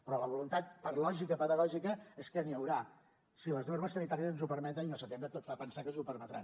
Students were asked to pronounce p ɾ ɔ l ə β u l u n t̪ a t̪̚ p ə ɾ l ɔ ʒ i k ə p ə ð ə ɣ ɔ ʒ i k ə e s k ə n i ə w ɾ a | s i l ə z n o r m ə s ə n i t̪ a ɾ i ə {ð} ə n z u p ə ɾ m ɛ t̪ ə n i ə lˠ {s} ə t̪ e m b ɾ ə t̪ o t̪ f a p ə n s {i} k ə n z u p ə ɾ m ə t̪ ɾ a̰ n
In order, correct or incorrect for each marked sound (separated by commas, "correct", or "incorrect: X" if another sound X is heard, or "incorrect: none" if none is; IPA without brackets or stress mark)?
incorrect: z, correct, incorrect: a